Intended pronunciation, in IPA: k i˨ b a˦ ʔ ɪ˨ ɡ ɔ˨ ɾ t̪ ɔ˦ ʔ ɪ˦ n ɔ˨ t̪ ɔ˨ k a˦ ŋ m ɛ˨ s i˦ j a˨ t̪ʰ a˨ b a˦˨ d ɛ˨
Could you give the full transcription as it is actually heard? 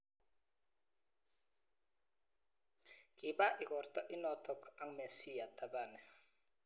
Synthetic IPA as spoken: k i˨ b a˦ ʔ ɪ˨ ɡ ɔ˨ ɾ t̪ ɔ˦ ʔ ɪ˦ n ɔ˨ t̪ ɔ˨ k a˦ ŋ m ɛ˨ s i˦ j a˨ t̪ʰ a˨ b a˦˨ n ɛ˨